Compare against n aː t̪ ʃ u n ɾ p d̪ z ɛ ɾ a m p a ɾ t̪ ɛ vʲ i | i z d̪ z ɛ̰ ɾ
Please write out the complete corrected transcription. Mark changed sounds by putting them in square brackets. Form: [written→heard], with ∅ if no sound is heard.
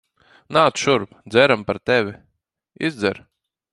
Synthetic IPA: n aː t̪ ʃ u [n→∅] ɾ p d̪ z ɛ ɾ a m p a ɾ t̪ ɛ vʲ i | i z d̪ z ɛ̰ ɾ